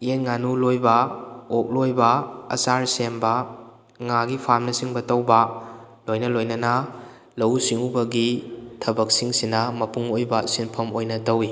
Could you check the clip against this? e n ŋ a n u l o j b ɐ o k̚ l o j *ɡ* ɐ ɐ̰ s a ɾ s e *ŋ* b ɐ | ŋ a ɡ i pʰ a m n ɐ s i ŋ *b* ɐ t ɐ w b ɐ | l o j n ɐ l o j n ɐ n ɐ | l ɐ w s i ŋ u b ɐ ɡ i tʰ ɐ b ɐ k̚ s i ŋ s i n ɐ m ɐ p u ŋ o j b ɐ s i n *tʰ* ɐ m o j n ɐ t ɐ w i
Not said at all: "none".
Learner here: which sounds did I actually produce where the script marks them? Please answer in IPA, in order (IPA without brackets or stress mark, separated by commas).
b, m, b, pʰ